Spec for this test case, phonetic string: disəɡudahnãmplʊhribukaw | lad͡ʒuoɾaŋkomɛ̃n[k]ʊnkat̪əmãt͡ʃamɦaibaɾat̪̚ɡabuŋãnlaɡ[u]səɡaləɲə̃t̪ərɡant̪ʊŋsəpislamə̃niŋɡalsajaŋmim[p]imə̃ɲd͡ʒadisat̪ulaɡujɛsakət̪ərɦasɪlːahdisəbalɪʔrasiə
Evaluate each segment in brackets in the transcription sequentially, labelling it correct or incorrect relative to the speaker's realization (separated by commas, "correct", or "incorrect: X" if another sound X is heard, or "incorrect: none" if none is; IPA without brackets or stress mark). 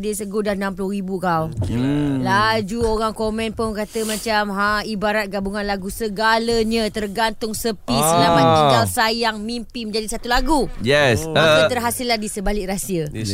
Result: incorrect: p, correct, correct